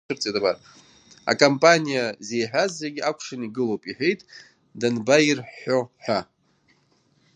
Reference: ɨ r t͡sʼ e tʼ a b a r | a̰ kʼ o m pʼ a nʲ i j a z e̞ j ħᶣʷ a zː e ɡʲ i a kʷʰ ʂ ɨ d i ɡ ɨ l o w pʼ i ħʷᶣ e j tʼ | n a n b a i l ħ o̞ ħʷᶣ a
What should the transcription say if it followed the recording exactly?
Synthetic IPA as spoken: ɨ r t͡sʼ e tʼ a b a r | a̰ kʼ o m pʼ a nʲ i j a z e̞ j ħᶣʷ a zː e ɡʲ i a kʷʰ ʂ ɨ n i ɡ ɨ l o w pʼ i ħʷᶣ e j tʼ | d a n b a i r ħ o̞ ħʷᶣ a